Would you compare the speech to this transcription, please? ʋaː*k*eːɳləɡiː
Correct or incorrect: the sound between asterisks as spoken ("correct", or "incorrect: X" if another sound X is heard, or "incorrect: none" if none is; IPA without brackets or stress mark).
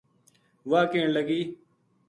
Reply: correct